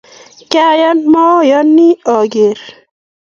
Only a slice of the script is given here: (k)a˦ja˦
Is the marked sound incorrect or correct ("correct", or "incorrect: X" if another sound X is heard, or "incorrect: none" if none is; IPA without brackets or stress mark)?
correct